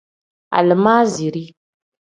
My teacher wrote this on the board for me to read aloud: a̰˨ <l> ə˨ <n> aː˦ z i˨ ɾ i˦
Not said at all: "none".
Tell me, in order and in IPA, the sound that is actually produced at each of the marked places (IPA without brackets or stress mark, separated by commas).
l, m